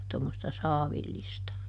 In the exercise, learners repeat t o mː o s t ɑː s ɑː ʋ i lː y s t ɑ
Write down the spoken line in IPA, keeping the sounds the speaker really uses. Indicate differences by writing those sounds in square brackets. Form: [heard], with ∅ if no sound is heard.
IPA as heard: t o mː o s t [ɑ] s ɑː ʋ i lː [i] s t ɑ